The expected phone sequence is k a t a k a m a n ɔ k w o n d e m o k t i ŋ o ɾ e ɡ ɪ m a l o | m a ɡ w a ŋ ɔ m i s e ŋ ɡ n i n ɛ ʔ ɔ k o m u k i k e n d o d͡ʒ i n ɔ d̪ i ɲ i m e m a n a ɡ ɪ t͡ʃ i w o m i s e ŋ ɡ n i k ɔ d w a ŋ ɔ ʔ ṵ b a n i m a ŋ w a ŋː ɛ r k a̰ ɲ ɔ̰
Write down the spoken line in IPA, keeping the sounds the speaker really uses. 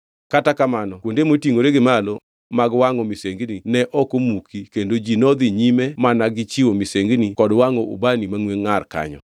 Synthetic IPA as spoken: k a t a k a m a n ɔ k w o n d e m o t i ŋ o ɾ e ɡ ɪ m a l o | m a ɡ w a ŋ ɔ m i s e ŋ ɡ n i n ɛ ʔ ɔ k o m u k i k e n d o d͡ʒ i n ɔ d̪ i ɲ i m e m a n a ɡ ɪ t͡ʃ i w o m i s e ŋ ɡ n i k ɔ d w a ŋ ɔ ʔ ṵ b a n i m a ŋ w e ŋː a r k a̰ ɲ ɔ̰

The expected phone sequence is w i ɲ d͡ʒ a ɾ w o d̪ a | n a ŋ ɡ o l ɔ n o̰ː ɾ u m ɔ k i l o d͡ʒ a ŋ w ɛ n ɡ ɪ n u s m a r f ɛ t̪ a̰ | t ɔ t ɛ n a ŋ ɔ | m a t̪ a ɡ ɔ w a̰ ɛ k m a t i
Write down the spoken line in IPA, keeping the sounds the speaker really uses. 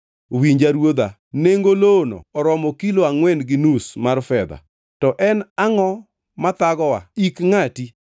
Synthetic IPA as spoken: w i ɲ d͡ʒ a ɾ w o d̪ a | n e ŋ ɡ o l o n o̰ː ɾ ɔ m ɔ k i l o a ŋ w ɛ n ɡ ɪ n u s m a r f ɛ d̪ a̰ | t ɔ ʔ ɛ n a ŋ ɔ | m a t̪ a ɡ ɔ w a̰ i k ŋ a t i

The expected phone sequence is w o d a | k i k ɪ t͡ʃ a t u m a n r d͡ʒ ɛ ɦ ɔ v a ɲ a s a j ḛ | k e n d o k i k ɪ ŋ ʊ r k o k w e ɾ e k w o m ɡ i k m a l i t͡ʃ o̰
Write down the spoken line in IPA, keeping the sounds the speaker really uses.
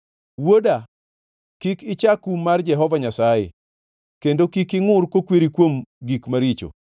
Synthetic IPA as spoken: w o d a | k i k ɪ t͡ʃ a k u m a r d͡ʒ ɛ ɦ ɔ v a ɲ a s a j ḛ | k e n d o k i k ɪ ŋ ʊ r k o k w e ɾ i k w o m ɡ i k m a ɾ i t͡ʃ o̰

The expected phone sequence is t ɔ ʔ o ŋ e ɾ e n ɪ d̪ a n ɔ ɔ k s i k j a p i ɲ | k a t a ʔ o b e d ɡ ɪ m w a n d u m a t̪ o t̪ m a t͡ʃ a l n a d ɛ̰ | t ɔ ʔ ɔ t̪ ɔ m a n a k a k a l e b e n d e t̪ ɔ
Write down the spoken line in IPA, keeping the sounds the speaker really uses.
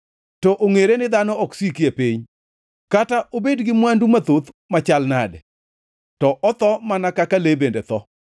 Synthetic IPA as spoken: t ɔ ʔ o ŋ e ɾ e n ɪ d̪ a n ɔ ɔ k s i k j e p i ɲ | k a t a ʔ o b e d ɡ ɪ m w a n d u m a t̪ o t̪ m a t͡ʃ a l n a d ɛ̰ | t ɔ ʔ ɔ t̪ ɔ m a n a k a k a l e b e n d e t̪ ɔ

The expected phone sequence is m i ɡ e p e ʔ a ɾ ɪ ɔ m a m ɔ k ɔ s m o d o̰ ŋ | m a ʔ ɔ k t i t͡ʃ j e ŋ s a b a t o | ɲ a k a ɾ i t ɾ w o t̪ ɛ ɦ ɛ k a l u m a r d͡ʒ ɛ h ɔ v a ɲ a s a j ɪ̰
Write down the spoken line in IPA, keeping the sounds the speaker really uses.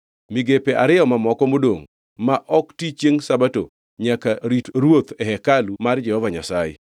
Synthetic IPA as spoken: m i ɡ e p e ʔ a ɾ ɪ ɔ m a m ɔ k ɔ m o d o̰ ŋ | m a ʔ ɔ k t i t͡ʃ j e ŋ s a b a t o | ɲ a k a ɾ i t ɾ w o t̪ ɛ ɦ ɛ k a l u m a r d͡ʒ ɛ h ɔ v a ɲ a s a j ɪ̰

